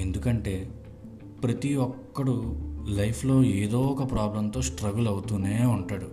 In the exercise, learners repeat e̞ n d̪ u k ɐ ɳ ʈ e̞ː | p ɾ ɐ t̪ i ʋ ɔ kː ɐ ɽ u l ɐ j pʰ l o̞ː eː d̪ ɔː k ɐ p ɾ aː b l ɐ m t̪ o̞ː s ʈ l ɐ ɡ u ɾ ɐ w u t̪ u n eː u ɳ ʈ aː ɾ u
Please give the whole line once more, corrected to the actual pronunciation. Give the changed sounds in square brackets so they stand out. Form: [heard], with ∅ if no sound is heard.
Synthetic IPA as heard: e̞ n d̪ u k ɐ ɳ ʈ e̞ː | p ɾ ɐ t̪ i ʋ ɔ kː ɐ ɽ u l ɐ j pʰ l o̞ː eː d̪ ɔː k ɐ p ɾ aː b l ɐ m t̪ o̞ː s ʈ [ɾ] ɐ ɡ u [l] ɐ w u t̪ u n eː u ɳ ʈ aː [ɽ] u